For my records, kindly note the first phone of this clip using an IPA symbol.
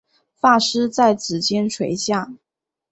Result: f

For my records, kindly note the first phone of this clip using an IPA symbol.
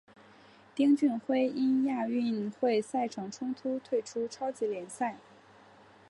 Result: t̪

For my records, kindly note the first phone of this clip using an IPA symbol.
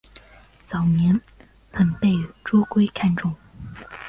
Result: t͡s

